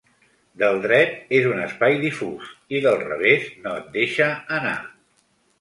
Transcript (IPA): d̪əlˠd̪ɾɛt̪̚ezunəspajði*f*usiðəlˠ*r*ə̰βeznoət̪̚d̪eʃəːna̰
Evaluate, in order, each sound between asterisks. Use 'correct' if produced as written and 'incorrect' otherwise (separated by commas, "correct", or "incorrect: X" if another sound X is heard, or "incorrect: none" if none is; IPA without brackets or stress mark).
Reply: correct, correct